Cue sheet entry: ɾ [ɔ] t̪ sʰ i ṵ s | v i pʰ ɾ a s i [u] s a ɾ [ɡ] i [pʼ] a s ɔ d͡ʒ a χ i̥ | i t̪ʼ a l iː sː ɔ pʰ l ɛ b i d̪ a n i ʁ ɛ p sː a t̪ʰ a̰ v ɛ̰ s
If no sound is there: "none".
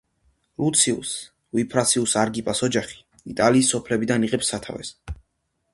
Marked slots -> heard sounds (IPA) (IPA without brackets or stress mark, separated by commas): u, u, ɡ, pʼ